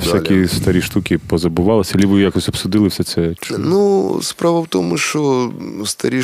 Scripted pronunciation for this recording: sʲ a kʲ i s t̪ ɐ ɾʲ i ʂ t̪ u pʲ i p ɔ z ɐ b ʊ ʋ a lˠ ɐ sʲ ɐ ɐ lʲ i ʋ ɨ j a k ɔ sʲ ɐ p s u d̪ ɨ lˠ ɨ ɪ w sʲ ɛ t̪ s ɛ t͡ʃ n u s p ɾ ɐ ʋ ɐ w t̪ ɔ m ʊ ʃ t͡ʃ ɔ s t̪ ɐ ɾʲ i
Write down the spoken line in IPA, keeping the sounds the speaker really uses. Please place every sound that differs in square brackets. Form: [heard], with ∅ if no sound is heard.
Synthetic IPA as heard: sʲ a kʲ i s t̪ ɐ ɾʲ i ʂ t̪ u [kʲ] i p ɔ z ɐ b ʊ ʋ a lˠ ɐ sʲ ɐ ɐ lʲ i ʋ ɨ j a k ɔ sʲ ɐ p s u d̪ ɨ lˠ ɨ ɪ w sʲ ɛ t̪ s ɛ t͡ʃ n u s p ɾ [a] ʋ ɐ w t̪ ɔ m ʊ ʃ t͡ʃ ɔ s t̪ ɐ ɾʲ i